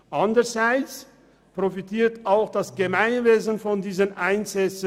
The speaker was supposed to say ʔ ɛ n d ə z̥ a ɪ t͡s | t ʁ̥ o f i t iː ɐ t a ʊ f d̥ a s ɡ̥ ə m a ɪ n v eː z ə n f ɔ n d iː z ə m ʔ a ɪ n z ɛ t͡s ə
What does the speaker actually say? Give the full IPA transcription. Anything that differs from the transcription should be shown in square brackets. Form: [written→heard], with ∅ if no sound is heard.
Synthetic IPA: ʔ [ɛ→a] n d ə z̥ a ɪ t͡s | [t→p] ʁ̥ o f i t iː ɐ t a ʊ [f→x] d̥ a s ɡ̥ ə m a ɪ n v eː z ə n f ɔ n d iː z ə [m→n] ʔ a ɪ n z ɛ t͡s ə